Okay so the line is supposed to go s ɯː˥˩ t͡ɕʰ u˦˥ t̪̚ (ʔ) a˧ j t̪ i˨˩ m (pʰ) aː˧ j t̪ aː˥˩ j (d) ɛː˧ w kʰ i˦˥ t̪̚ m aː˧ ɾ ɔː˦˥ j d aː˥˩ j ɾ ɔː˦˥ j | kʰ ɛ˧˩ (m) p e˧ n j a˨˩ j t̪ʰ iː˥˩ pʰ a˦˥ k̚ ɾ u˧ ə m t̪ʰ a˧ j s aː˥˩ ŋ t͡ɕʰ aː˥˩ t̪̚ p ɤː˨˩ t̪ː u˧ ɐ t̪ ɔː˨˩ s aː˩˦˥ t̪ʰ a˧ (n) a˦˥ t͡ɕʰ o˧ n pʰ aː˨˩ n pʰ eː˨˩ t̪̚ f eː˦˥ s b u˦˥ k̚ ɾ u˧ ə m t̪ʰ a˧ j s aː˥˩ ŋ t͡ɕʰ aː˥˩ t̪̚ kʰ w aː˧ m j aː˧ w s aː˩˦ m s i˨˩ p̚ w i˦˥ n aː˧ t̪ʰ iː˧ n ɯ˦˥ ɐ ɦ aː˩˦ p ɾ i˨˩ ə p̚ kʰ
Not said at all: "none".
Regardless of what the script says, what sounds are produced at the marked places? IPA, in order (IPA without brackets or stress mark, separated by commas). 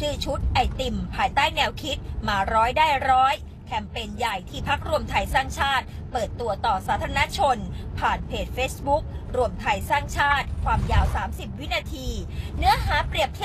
ʔ, pʰ, n, m, n